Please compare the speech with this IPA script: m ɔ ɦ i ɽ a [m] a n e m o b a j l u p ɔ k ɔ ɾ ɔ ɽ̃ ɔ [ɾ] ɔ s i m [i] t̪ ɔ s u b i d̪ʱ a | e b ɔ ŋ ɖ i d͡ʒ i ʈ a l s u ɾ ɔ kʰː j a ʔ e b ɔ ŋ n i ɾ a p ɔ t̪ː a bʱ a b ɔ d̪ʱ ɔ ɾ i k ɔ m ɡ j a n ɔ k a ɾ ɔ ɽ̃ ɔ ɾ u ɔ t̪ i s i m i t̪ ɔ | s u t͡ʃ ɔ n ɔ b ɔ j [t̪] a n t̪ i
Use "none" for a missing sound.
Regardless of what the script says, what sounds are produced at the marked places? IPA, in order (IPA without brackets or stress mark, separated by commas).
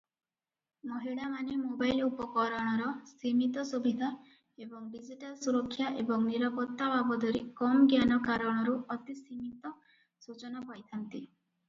m, ɾ, i, t̪ʰ